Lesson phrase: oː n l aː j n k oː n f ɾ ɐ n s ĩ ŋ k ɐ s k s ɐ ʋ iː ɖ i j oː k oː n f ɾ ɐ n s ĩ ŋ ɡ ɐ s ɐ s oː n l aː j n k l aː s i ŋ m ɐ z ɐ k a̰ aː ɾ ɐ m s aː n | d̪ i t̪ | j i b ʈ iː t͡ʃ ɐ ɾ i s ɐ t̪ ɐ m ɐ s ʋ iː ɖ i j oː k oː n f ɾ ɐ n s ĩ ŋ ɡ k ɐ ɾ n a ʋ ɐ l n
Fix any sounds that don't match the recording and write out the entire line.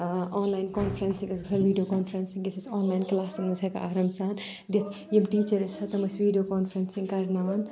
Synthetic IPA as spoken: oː n l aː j n k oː n f ɾ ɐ n s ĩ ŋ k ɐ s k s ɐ ʋ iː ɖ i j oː k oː n f ɾ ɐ n s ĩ ŋ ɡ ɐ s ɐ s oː n l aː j n k l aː s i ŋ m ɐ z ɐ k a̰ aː ɾ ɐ m s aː n | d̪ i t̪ | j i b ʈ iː t͡ʃ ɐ ɾ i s ɐ t̪ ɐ m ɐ s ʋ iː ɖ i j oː k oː n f ɾ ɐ n s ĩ ŋ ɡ k ɐ ɾ n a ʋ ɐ n